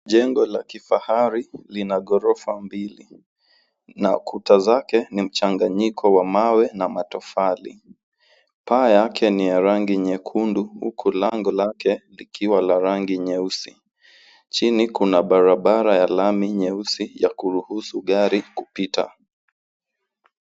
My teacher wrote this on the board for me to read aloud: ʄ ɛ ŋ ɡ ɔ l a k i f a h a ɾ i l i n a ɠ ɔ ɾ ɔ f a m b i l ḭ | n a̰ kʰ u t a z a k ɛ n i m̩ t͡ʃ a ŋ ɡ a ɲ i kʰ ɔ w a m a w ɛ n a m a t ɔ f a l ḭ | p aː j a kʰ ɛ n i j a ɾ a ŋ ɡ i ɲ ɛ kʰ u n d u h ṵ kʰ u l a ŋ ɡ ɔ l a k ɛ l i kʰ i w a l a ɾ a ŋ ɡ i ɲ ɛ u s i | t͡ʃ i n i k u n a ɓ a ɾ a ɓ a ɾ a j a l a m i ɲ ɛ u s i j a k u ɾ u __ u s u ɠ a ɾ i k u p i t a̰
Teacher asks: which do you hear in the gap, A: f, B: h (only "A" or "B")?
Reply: B